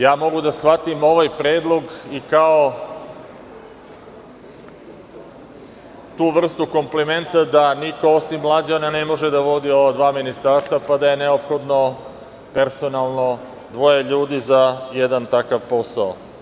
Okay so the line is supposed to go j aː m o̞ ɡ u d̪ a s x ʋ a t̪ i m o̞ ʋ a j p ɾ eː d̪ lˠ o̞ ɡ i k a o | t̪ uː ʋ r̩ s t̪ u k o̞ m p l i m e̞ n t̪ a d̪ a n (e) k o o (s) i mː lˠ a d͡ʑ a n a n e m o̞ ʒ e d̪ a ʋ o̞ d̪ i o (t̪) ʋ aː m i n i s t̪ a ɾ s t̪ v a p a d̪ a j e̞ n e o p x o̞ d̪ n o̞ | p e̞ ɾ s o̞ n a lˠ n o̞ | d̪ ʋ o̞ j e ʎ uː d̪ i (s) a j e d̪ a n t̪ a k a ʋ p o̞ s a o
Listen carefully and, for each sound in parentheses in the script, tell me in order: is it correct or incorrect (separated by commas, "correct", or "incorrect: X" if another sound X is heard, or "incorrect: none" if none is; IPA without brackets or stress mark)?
incorrect: i, correct, incorrect: d̪, incorrect: z